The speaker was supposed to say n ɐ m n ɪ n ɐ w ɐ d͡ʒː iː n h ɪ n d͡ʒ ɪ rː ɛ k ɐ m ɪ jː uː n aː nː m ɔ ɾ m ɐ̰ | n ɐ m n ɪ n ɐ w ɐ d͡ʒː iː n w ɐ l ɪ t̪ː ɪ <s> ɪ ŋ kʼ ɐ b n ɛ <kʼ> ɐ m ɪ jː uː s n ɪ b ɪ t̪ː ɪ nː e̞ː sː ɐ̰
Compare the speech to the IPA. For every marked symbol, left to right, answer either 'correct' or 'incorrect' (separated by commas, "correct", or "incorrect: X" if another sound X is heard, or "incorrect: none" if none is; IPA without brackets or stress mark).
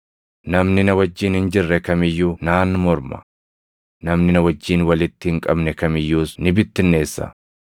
incorrect: h, incorrect: k